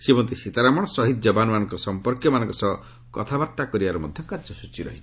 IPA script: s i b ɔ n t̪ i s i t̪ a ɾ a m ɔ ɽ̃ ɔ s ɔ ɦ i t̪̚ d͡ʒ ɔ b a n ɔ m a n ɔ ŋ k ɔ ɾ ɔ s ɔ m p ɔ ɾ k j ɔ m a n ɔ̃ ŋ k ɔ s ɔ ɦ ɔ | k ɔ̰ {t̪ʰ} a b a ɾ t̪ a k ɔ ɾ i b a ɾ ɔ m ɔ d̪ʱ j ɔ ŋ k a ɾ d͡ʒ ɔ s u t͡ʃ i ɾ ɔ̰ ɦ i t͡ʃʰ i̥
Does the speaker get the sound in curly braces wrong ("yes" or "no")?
no